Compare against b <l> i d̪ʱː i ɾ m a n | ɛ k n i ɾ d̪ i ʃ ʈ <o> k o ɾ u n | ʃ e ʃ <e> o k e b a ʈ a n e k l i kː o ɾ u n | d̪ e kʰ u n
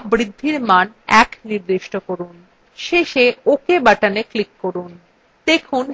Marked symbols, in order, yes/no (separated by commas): no, yes, yes